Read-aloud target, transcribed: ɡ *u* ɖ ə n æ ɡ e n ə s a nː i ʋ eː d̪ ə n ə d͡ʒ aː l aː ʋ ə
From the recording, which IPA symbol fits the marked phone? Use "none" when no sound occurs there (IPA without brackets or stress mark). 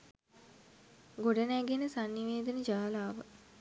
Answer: o